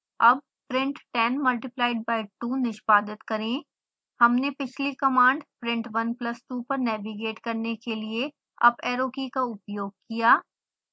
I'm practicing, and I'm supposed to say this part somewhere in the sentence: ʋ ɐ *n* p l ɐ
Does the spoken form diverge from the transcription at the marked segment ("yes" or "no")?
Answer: no